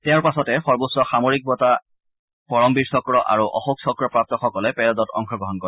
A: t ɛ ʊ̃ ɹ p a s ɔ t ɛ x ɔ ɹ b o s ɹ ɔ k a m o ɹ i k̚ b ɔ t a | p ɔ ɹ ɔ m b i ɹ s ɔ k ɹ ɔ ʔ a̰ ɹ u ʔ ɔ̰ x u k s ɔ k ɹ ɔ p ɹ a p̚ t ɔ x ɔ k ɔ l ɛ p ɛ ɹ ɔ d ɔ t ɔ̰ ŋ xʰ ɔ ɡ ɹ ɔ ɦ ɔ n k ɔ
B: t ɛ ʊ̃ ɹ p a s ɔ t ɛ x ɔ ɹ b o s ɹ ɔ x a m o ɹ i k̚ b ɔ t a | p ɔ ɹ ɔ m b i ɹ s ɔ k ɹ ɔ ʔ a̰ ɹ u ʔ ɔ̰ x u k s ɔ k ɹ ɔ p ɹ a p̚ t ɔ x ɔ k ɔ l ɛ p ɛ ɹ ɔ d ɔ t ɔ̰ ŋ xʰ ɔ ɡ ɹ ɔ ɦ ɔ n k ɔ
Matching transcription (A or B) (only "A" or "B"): B